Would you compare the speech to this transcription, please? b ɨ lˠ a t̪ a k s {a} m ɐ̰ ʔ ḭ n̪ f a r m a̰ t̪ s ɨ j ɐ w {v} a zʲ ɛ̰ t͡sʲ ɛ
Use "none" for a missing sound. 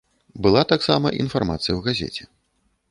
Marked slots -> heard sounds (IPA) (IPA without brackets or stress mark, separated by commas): a, ɣ